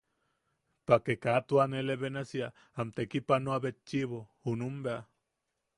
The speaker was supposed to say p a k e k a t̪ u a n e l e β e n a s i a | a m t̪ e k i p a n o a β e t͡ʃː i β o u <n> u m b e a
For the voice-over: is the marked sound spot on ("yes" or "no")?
yes